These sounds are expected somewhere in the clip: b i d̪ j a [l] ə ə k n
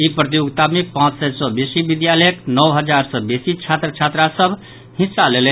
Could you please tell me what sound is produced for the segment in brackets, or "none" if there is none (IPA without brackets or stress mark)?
l